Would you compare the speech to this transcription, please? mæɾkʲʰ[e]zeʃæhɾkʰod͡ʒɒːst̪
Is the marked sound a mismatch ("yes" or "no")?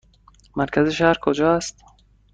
yes